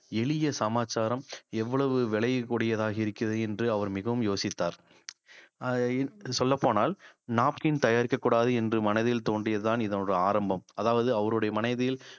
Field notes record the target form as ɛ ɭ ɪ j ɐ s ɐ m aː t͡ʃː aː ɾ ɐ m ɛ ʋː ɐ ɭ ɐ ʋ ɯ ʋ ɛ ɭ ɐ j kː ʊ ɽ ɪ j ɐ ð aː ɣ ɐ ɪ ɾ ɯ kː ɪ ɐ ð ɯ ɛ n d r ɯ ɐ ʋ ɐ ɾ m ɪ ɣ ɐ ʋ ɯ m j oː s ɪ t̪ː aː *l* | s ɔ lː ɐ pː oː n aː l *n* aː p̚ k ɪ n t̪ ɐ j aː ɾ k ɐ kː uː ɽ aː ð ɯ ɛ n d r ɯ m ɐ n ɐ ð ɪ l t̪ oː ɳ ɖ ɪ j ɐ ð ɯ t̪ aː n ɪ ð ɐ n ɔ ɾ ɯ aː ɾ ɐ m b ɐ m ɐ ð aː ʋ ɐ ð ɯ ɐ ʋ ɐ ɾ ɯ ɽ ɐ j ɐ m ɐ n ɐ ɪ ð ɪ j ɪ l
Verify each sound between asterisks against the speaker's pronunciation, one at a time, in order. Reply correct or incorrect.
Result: incorrect, correct

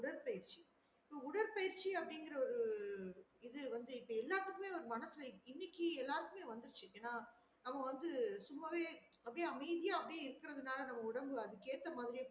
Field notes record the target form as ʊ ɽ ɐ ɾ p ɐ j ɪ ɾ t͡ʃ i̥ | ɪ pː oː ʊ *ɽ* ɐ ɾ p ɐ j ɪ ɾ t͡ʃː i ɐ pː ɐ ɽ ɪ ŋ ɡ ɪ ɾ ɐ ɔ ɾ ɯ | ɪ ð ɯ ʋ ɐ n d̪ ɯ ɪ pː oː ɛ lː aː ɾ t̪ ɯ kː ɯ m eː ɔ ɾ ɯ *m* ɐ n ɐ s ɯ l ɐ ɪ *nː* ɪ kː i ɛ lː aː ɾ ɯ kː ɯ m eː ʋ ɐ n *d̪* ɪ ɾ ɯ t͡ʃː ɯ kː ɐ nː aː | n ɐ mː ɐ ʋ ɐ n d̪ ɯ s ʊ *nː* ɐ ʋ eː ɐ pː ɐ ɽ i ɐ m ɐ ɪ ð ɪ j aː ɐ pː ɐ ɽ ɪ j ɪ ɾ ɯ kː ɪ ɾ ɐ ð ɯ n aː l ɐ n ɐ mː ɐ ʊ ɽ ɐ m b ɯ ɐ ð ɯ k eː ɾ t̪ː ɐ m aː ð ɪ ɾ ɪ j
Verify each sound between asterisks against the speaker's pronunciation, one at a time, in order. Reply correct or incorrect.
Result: correct, correct, correct, correct, incorrect

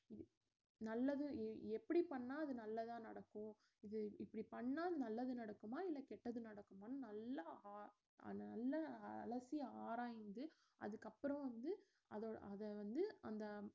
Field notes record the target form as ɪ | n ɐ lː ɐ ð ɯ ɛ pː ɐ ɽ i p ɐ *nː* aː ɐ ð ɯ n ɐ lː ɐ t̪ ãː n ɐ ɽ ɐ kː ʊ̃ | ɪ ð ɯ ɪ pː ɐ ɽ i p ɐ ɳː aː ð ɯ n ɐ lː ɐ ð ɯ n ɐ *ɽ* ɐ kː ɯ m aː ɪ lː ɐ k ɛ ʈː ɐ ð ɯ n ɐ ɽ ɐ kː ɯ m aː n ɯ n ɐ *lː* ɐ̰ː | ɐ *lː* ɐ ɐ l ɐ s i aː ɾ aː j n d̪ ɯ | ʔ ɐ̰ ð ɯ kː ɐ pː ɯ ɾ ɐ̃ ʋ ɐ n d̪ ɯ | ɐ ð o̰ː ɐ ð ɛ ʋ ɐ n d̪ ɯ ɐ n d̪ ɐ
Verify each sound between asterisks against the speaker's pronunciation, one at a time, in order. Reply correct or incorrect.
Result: incorrect, correct, correct, correct

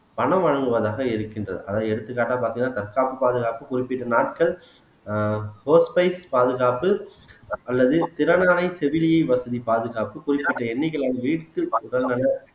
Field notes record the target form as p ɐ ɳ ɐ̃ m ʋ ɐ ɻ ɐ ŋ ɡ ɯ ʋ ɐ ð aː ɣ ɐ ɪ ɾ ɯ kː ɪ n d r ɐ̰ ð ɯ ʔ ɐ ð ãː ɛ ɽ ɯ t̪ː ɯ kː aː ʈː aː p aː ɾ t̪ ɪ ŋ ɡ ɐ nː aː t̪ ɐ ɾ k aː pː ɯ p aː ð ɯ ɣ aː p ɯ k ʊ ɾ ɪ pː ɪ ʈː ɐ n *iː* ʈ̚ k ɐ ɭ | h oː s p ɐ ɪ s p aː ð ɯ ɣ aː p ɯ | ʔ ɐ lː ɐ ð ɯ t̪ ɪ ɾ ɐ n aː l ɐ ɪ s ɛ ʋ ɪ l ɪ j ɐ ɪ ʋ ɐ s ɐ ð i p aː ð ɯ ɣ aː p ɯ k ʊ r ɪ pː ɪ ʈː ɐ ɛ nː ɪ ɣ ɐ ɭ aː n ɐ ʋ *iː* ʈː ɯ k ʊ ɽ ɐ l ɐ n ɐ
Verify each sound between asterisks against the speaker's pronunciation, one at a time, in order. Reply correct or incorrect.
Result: incorrect, correct

